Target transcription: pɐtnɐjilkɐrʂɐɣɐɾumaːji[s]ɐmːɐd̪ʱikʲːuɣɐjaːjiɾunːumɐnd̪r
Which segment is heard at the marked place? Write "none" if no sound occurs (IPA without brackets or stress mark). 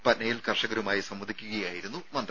s